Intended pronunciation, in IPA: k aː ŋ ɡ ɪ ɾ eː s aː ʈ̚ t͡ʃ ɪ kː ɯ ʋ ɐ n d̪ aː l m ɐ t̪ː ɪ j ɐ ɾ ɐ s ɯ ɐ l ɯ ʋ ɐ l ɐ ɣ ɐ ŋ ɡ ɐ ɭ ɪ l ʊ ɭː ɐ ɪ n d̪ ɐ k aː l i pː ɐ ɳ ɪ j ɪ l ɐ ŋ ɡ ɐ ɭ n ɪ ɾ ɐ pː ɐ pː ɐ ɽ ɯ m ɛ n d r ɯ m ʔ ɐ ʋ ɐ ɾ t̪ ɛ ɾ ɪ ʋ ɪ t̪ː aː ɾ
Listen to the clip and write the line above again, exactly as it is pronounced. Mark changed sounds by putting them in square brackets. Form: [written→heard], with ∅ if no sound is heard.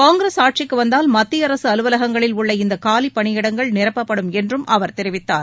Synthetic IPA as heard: k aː ŋ ɡ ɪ ɾ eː s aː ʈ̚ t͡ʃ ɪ kː ɯ ʋ ɐ n d̪ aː l m ɐ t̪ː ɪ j ɐ ɾ ɐ s ɯ ɐ l ɯ ʋ ɐ l ɐ ɣ ɐ ŋ ɡ ɐ ɭ ɪ l ʊ ɭː ɐ ɪ n d̪ ɐ k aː l i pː ɐ ɳ ɪ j ɪ [l→ɽ] ɐ ŋ ɡ ɐ ɭ n ɪ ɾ ɐ pː ɐ pː ɐ ɽ ɯ m ɛ n d r ɯ m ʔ ɐ ʋ ɐ ɾ t̪ ɛ ɾ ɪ ʋ ɪ t̪ː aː ɾ